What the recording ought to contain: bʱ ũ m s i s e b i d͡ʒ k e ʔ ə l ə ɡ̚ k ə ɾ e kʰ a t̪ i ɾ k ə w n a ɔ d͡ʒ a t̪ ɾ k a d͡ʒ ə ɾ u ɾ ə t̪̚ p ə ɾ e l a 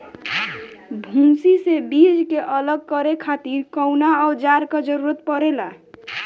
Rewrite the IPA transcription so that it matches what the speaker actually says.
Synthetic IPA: bʱ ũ m s i s e b i d͡ʒ k e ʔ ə l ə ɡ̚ k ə ɾ e kʰ a t̪ i ɾ k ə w n a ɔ d͡ʒ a ɾ k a d͡ʒ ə ɾ u ɾ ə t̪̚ p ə ɾ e l a